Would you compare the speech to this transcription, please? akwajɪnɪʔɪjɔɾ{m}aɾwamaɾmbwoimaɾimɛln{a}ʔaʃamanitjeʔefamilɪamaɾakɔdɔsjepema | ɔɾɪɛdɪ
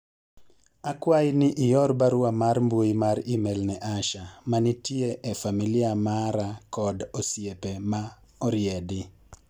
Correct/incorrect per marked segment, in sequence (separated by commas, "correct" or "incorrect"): incorrect, incorrect